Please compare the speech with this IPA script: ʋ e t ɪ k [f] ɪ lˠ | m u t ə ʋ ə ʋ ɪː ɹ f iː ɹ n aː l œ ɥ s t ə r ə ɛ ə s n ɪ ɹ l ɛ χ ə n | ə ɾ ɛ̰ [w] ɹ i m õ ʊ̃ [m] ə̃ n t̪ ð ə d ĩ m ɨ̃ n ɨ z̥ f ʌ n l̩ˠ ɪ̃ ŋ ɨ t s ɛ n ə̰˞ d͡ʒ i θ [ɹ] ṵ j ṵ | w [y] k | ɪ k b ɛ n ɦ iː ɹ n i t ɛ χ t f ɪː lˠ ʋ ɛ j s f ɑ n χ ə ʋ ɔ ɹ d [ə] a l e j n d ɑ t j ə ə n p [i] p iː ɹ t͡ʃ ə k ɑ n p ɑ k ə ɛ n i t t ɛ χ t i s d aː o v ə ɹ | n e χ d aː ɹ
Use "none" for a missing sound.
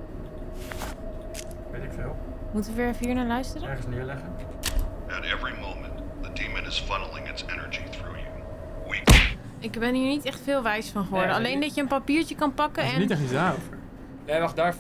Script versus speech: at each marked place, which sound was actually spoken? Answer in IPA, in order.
f, v, m, ɹ, i, ə, a

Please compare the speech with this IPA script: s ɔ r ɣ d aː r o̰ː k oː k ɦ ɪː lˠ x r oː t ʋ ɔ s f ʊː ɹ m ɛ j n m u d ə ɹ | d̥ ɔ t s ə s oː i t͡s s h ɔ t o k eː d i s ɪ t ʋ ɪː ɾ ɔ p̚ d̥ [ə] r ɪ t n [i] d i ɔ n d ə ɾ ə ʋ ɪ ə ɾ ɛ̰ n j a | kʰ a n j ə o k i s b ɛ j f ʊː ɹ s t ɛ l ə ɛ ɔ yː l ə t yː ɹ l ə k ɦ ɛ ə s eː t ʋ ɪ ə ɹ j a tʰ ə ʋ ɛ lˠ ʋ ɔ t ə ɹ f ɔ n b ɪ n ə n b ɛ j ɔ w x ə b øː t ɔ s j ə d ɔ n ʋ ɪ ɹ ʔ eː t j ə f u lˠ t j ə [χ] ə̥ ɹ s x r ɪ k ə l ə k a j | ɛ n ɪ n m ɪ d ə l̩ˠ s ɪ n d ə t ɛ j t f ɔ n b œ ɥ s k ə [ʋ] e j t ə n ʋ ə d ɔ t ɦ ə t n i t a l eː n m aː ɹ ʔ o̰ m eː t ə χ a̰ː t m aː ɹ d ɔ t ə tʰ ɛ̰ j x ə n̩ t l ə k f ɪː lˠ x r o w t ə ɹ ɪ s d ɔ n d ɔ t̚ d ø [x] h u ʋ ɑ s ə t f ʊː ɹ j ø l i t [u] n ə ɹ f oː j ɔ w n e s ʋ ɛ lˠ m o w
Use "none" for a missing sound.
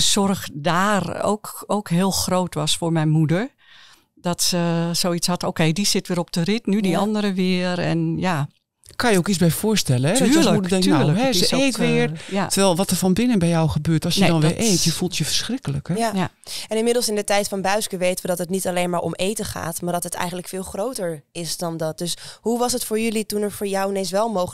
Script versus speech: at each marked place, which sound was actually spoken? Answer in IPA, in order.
ə, y, f, ʋ, s, u

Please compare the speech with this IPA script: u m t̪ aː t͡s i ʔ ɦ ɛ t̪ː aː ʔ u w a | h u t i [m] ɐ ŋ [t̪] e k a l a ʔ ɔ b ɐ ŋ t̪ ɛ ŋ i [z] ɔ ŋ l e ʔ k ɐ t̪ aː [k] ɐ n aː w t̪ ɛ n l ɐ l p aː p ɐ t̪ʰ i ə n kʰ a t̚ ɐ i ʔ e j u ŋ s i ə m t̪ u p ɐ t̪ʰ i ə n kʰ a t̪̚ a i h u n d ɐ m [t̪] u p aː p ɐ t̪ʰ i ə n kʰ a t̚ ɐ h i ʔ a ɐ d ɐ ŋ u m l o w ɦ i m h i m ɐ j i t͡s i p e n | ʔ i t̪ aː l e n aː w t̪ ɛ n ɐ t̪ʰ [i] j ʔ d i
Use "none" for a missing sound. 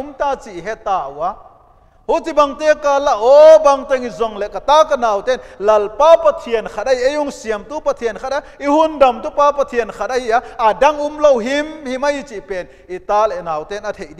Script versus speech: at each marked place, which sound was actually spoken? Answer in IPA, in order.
b, t̪, z, k, t̪, e

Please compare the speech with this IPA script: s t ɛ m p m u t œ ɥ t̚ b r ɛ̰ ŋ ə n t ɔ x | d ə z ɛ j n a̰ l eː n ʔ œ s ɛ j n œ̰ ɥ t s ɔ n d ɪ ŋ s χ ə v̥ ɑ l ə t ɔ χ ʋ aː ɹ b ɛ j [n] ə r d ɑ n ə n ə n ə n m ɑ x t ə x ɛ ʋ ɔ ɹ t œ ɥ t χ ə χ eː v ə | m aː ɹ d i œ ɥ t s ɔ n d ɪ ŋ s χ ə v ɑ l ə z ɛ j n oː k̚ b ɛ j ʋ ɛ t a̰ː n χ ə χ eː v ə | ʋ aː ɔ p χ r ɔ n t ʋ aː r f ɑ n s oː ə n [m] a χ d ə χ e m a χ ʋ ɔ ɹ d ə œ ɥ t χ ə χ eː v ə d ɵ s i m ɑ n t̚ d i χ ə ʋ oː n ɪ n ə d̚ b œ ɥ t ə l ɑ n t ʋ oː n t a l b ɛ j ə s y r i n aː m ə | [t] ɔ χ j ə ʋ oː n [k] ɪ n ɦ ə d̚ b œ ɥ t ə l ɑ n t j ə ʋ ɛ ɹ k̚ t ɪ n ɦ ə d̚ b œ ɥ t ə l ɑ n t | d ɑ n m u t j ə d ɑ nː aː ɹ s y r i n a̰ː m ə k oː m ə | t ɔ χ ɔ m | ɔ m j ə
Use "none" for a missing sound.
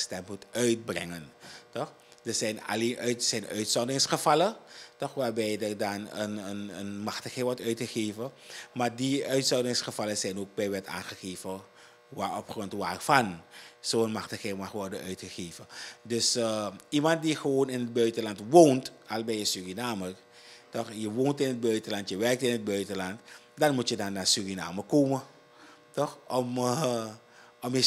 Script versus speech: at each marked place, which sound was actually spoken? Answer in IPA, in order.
d, m, t, t

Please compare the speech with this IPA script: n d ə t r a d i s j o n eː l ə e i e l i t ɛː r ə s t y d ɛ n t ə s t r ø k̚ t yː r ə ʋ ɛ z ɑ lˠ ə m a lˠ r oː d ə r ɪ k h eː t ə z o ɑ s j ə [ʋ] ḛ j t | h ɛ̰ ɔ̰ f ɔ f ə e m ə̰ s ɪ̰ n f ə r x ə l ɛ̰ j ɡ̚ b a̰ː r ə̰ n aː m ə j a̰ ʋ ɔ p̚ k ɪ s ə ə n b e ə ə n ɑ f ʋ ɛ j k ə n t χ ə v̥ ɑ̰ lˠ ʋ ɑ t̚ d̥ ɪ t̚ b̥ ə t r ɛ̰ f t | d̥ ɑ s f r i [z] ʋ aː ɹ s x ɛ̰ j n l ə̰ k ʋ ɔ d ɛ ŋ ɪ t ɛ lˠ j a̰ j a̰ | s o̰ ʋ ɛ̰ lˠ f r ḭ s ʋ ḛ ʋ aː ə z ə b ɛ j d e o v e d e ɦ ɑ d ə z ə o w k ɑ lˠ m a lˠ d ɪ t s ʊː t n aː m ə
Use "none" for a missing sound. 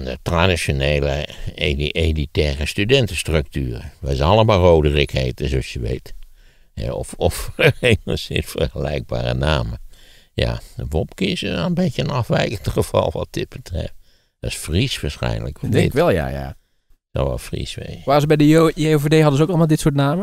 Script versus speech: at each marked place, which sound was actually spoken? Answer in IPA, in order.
ʋ, s

